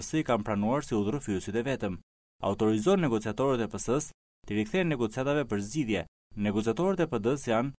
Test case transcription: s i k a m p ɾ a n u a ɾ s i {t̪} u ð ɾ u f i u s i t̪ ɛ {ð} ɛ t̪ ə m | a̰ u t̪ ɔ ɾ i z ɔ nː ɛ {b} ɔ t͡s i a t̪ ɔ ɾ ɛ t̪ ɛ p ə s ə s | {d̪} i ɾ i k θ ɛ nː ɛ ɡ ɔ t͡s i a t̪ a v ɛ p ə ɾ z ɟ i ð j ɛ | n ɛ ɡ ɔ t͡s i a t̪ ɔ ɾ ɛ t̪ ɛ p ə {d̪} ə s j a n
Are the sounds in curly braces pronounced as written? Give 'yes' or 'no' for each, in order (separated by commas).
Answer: no, no, no, no, yes